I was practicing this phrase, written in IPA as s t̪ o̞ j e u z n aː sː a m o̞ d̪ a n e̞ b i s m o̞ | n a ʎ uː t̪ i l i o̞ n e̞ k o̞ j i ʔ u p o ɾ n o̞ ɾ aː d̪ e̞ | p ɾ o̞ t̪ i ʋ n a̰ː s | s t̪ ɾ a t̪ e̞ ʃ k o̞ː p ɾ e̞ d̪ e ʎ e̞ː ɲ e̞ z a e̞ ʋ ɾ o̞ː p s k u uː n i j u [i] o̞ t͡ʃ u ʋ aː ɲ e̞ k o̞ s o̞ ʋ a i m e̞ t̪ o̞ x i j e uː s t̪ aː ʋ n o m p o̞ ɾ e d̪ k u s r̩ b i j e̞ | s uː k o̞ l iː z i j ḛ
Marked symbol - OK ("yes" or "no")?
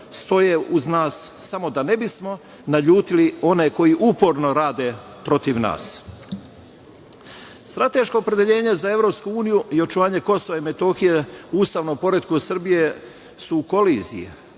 yes